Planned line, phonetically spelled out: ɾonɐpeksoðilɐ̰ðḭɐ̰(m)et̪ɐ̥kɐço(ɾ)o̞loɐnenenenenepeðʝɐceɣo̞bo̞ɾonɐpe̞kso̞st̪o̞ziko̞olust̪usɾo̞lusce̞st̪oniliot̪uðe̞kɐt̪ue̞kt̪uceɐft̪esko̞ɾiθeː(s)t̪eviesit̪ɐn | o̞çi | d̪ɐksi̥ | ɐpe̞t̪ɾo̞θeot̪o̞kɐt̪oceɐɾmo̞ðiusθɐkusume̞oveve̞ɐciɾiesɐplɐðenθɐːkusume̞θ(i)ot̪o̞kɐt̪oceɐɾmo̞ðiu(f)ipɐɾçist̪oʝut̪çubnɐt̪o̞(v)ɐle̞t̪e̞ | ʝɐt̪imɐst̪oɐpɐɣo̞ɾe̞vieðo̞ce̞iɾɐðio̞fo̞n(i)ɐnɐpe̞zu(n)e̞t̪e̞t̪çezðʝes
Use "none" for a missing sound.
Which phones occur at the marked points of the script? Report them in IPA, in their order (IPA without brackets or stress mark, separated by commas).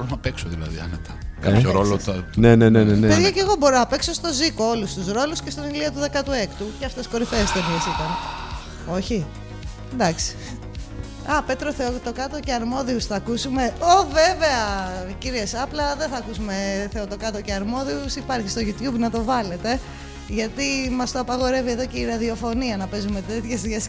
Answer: n, ɾ, s, e, s, v, i, m